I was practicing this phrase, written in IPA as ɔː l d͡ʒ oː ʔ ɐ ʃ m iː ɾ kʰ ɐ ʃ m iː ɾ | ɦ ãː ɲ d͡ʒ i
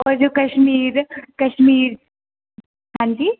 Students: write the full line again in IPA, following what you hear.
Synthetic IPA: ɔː ɾ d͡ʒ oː k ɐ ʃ m iː ɾ k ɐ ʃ m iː ɾ | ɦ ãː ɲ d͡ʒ i